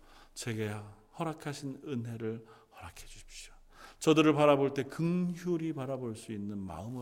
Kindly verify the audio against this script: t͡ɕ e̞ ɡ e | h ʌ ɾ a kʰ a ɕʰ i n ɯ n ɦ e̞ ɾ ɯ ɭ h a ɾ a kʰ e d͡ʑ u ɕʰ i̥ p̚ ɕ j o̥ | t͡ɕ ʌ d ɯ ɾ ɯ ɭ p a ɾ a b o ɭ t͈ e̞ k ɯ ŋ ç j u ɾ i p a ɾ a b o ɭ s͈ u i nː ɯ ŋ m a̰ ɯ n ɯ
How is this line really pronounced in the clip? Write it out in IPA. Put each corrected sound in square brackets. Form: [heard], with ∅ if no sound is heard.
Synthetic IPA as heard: t͡ɕ e̞ ɡ e | h ʌ ɾ a kʰ a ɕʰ i n ɯ n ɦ e̞ ɾ ɯ ɭ h [ʌ] ɾ a kʰ e d͡ʑ u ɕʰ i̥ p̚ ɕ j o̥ | t͡ɕ ʌ d ɯ ɾ ɯ ɭ p a ɾ a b o ɭ t͈ e̞ k ɯ ŋ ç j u ɾ i p a ɾ a b o ɭ s͈ u i nː ɯ [n] m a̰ ɯ [m] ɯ